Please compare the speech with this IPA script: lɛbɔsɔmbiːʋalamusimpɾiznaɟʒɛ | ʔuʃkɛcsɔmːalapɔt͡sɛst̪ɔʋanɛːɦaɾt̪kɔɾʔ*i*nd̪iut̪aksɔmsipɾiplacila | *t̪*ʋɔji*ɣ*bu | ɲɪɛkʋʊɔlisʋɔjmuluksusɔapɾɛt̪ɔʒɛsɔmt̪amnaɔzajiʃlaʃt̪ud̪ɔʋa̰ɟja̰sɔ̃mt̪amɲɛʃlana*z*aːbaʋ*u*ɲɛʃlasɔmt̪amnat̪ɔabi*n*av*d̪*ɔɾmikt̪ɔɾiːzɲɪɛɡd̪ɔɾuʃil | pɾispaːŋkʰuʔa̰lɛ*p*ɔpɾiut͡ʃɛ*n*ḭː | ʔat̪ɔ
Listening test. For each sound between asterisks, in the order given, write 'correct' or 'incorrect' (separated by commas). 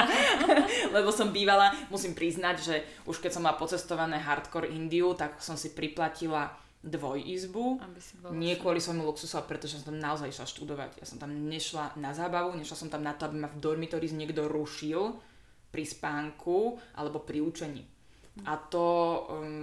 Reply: correct, incorrect, incorrect, correct, correct, incorrect, correct, incorrect, incorrect